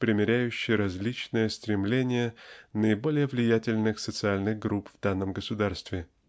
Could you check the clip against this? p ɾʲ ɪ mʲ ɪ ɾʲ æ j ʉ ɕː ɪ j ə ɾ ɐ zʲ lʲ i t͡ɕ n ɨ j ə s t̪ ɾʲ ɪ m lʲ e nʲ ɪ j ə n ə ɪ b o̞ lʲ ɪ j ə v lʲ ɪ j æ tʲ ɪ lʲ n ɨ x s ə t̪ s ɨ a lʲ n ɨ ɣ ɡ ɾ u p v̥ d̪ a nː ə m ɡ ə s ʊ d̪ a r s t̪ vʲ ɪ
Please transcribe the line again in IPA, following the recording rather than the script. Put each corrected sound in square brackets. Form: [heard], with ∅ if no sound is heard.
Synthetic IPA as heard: p ɾʲ ɪ mʲ ɪ ɾʲ æ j ʉ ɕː ɪ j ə ɾ ɐ zʲ lʲ i t͡ɕ n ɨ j ə s t̪ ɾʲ ɪ m lʲ e nʲ ɪ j ə n ə ɪ b o̞ lʲ ɪ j ə v lʲ ɪ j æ tʲ ɪ lʲ n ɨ x s ə t̪ s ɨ a lʲ n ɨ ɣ ɡ ɾ u p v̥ d̪ a nː ə m ɡ ə s ʊ d̪ a r s t̪ vʲ ɪ